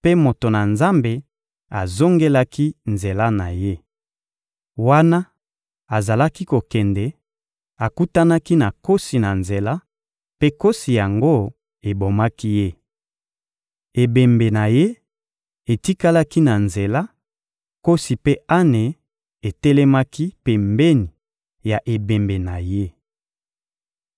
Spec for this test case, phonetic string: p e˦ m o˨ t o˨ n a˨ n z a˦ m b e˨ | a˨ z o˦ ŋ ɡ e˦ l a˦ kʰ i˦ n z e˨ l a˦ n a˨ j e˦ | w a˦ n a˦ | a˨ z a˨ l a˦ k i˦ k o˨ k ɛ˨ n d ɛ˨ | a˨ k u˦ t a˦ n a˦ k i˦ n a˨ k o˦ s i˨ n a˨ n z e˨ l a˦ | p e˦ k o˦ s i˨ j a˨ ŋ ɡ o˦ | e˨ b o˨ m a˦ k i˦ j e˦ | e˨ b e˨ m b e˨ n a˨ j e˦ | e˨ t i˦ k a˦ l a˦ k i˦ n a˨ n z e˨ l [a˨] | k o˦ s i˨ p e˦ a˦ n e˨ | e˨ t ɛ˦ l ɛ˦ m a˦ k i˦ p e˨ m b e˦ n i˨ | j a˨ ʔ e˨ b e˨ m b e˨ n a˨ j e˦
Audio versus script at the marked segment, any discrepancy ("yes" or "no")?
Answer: yes